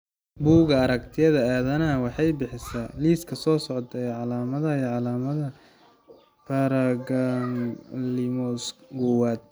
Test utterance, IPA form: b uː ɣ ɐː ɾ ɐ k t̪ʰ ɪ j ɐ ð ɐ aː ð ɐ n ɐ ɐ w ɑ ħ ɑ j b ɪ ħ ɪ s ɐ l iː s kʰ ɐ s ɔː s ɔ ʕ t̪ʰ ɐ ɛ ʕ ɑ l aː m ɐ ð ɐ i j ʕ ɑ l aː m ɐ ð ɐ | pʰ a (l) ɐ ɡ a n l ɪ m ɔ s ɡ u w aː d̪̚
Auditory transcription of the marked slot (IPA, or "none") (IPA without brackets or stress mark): ɾ